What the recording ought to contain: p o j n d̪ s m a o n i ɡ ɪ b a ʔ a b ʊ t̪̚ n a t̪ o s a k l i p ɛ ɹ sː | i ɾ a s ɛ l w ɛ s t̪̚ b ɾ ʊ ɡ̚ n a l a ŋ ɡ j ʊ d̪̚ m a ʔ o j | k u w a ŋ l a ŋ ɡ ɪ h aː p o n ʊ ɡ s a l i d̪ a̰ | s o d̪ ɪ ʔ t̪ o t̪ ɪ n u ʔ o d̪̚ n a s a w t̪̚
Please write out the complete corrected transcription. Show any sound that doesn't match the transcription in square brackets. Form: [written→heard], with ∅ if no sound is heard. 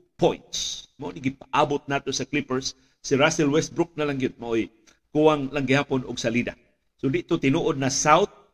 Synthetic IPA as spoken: p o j n [d̪→t̪] s m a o n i ɡ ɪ [b→p] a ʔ a b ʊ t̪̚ n a t̪ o s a k l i p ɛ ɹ sː | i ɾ a s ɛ l w ɛ s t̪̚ b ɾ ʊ [ɡ̚→k̚] n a l a ŋ ɡ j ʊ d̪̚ m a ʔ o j | k u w a ŋ l a ŋ ɡ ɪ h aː p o n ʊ ɡ s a l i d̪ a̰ | s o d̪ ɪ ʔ t̪ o t̪ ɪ n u ʔ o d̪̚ n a s a w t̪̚